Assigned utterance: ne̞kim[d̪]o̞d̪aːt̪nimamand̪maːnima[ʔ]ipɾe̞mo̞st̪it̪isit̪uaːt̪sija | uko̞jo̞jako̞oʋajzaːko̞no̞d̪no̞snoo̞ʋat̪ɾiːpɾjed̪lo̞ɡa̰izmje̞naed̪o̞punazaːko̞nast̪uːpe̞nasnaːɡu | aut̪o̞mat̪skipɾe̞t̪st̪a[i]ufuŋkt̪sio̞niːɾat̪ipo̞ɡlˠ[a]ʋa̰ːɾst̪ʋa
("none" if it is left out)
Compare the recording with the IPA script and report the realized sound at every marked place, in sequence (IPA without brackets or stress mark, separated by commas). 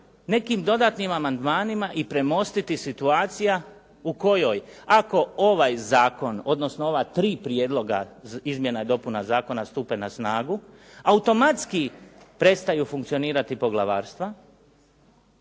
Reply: d̪, ʔ, j, a